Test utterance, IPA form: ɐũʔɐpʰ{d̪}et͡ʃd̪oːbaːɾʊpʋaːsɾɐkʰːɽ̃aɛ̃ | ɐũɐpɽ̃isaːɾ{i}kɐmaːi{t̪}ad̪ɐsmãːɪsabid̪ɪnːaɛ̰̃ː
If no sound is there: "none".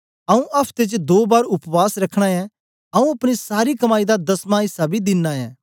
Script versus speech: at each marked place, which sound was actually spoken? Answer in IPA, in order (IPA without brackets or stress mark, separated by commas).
t̪, i, d̪